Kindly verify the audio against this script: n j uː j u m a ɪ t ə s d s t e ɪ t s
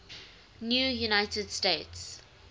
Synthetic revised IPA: n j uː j u n a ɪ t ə d s t e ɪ t s